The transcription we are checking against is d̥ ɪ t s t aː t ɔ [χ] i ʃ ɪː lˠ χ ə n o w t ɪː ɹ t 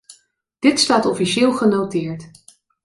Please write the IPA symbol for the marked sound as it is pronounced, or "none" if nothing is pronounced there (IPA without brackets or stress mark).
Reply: f